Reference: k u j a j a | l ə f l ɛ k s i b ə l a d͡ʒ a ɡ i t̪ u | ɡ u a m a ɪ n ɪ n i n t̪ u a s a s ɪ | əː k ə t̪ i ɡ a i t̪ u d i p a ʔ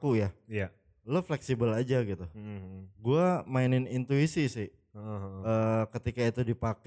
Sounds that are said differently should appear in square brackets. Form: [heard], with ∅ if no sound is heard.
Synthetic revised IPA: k u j a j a | l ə f l ɛ k s i b ə l a d͡ʒ a ɡ i t̪ u | ɡ u a m a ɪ n ɪ n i n t̪ u [i] s [i] s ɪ | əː k ə t̪ i [k] a i t̪ u d i p a [k]